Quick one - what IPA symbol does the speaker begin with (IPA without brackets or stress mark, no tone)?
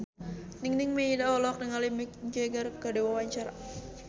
n